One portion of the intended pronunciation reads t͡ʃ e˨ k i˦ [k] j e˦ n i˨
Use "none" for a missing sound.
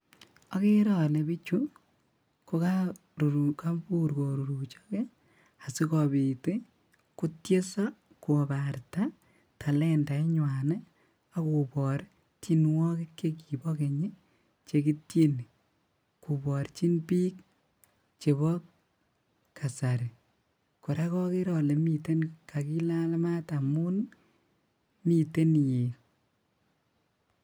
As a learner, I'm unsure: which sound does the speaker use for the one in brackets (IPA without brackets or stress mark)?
t